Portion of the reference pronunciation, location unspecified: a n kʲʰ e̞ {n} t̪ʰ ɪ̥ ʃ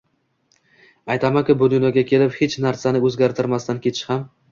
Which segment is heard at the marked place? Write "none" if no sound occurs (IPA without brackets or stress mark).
none